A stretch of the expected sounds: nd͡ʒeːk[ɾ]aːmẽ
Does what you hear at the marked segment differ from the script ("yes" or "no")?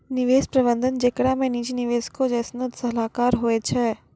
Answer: yes